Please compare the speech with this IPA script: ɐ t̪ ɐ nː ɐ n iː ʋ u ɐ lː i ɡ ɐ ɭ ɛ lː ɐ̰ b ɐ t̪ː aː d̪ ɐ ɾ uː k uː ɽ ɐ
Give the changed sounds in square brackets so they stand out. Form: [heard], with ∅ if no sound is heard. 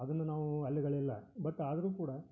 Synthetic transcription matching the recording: ɐ [d̪] ɐ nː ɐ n [aː] ʋ u ɐ lː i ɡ ɐ ɭ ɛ lː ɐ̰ b ɐ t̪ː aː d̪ ɐ ɾ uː k uː ɽ ɐ